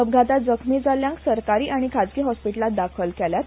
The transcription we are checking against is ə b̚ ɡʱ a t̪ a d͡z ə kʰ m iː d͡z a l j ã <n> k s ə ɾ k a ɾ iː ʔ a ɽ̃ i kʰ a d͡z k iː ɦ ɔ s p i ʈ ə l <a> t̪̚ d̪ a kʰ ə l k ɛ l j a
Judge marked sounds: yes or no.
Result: no, yes

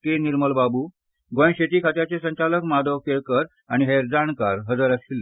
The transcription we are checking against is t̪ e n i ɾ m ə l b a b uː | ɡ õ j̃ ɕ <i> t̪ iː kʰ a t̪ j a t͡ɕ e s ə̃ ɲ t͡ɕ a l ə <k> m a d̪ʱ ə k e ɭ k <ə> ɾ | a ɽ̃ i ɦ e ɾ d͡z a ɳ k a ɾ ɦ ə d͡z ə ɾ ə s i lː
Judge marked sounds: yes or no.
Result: no, yes, yes

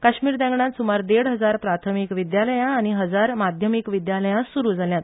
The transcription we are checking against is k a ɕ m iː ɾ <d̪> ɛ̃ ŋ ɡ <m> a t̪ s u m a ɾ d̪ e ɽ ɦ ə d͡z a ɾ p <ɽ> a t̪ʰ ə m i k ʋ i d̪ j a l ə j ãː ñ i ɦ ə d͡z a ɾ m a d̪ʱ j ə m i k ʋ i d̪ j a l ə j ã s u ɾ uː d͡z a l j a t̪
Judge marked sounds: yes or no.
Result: yes, no, no

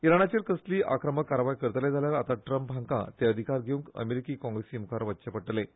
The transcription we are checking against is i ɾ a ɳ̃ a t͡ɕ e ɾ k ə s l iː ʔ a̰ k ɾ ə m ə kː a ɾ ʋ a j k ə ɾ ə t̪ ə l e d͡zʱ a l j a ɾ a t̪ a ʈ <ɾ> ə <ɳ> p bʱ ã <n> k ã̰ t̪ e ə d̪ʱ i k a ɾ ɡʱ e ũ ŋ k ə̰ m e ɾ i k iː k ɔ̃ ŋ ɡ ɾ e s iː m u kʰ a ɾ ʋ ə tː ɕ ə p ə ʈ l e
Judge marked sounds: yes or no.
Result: yes, no, no

